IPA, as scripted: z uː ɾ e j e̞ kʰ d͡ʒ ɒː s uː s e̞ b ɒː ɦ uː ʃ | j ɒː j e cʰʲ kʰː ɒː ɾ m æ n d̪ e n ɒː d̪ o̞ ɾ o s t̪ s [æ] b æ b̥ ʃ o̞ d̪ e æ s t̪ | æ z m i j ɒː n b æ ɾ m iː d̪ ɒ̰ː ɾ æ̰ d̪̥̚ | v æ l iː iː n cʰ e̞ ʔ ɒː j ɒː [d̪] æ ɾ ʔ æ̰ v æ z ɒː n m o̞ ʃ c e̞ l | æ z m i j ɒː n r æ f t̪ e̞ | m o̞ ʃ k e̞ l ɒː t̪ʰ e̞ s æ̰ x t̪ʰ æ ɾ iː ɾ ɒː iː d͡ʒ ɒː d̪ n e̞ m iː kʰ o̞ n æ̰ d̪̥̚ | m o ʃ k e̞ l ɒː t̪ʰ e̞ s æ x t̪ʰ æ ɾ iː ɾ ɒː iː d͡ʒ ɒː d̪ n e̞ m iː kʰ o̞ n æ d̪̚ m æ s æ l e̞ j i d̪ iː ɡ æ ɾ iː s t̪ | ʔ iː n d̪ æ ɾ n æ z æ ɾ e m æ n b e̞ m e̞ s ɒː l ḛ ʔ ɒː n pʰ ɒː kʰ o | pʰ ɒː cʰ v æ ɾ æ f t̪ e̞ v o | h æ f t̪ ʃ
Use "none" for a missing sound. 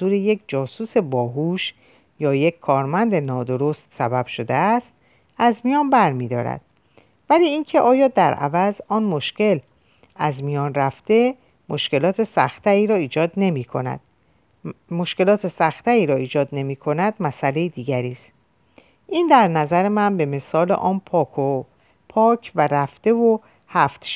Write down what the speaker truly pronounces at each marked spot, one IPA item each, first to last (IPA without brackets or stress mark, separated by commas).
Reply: æ, d̪